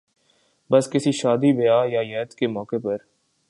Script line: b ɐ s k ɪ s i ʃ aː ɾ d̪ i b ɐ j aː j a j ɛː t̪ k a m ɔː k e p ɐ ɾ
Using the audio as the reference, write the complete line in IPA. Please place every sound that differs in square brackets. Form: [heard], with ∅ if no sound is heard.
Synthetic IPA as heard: b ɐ s k ɪ s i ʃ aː [∅] d̪ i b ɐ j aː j a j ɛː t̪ k [e] m ɔː k e p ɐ ɾ